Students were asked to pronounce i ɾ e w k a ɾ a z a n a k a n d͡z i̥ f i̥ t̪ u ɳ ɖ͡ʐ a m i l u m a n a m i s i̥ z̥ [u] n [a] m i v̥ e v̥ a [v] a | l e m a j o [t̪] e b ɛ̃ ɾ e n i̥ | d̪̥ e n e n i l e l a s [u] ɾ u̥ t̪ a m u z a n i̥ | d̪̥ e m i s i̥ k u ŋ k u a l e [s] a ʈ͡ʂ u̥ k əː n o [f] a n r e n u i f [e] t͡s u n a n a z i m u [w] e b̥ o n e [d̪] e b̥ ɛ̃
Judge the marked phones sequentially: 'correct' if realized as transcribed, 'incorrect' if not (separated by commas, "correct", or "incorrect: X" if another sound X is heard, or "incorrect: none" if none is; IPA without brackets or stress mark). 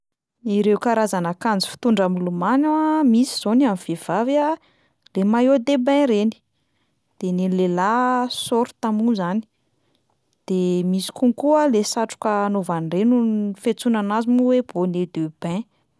incorrect: o, correct, correct, incorrect: d̪, incorrect: o, correct, incorrect: v, correct, correct, correct